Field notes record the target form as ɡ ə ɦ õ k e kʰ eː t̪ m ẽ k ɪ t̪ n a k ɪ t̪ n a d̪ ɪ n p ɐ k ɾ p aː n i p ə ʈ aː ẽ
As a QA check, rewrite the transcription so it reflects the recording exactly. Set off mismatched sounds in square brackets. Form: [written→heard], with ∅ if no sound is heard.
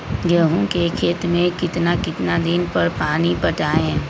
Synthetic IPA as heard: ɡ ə ɦ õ k e kʰ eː t̪ m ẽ k ɪ t̪ n a k ɪ t̪ n a d̪ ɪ n p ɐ [k→∅] ɾ p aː n i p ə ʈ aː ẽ